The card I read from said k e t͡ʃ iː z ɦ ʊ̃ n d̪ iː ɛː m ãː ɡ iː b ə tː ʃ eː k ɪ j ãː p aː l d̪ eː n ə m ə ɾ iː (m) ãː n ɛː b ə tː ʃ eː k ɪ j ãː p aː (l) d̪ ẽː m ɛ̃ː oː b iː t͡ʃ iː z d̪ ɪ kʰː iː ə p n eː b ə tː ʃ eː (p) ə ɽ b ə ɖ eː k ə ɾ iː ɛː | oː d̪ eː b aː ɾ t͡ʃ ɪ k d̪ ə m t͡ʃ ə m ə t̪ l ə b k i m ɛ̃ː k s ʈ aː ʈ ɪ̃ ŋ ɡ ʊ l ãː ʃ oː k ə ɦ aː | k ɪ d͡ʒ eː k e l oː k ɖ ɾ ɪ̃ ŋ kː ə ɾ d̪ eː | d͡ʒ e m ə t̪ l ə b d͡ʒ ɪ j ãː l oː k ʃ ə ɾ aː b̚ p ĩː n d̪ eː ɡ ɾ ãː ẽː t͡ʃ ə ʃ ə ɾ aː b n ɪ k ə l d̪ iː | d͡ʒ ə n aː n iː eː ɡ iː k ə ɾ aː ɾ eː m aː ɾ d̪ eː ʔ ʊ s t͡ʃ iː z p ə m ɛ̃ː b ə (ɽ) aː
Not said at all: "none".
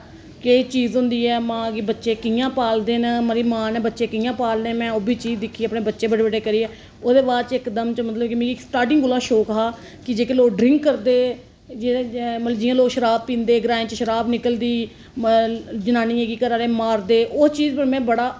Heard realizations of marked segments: m, l, b, ɽ

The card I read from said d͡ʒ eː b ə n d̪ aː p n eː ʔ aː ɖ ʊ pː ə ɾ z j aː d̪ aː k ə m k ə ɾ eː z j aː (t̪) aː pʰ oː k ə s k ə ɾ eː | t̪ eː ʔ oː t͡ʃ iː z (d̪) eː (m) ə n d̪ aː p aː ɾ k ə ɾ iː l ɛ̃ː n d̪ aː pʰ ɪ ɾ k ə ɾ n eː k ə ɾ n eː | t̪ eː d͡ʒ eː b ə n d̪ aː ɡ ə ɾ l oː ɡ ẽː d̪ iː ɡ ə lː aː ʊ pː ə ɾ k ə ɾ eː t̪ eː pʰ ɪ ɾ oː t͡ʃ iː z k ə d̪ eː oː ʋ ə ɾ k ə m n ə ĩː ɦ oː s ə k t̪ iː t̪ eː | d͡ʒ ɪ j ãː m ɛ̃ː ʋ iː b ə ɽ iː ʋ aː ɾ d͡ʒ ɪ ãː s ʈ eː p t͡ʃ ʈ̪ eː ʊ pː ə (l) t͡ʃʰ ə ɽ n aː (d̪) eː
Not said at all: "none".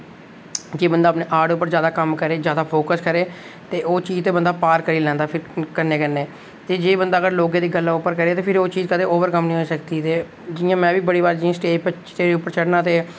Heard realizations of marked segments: d̪, t̪, b, ɾ, t̪

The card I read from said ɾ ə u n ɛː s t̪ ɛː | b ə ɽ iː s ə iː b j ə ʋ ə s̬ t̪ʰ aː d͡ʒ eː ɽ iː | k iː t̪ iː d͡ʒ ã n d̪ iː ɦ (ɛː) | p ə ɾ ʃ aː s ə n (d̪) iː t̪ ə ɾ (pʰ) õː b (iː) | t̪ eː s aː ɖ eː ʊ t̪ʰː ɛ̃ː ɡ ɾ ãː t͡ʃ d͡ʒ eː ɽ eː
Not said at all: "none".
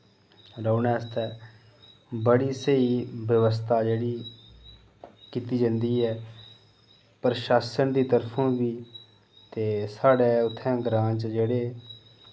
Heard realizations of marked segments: ɛː, d̪, pʰ, iː

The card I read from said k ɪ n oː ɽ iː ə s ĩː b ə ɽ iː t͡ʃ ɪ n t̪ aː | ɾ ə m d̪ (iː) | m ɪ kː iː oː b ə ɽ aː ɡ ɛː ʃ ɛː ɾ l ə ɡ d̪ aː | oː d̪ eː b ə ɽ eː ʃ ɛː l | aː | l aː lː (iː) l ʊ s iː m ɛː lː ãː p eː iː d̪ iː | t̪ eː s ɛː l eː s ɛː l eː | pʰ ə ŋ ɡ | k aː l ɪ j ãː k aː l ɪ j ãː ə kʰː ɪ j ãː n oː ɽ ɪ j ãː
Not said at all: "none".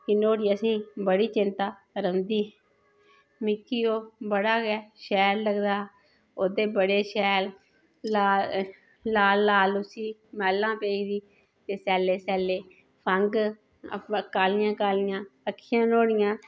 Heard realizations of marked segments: iː, aː

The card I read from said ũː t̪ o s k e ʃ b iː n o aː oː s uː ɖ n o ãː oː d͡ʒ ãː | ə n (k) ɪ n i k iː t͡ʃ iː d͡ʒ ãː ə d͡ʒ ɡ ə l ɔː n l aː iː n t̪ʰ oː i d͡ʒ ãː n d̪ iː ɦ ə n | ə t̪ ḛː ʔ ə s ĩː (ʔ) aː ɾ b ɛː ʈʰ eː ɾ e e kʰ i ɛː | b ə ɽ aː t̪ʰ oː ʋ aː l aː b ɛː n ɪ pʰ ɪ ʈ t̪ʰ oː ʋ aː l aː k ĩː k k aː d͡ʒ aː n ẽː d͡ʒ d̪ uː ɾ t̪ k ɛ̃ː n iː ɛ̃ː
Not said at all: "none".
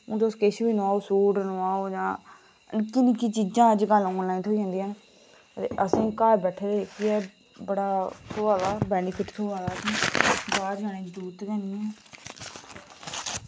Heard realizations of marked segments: k, k

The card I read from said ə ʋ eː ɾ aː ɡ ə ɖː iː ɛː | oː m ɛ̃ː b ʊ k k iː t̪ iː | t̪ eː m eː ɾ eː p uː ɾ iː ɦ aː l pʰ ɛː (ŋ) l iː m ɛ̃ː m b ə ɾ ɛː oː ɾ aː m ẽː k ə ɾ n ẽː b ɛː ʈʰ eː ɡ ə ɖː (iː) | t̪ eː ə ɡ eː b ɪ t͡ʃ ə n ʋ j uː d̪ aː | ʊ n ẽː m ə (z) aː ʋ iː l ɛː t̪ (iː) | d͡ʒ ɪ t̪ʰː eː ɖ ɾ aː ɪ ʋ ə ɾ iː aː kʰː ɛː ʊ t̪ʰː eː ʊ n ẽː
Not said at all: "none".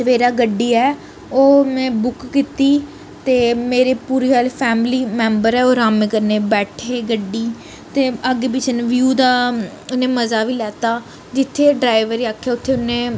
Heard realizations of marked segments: m, iː, z, aː

